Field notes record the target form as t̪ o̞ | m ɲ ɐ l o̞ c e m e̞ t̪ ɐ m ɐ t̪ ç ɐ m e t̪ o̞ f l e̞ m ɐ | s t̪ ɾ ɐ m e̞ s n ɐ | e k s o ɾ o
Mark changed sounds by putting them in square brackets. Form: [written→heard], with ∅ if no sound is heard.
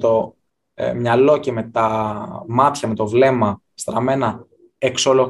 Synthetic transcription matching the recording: t̪ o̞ | m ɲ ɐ l o̞ c e m e̞ t̪ ɐ m ɐ t̪ ç ɐ m e t̪ o̞ [f→v] l e̞ m ɐ | s t̪ ɾ ɐ m e̞ [s→∅] n ɐ | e k s o [ɾ→l] o